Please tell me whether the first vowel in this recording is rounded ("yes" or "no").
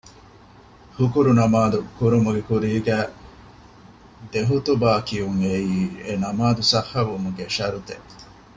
yes